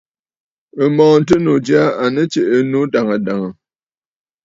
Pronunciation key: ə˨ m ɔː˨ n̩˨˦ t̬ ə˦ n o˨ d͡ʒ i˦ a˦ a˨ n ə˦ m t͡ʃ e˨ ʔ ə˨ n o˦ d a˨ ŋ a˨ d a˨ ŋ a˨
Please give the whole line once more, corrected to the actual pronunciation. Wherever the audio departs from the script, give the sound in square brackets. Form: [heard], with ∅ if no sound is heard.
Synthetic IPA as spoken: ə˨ m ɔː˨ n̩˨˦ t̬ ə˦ n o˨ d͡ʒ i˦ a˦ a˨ n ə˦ [∅] t͡ʃ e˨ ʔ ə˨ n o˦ d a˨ ŋ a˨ d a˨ ŋ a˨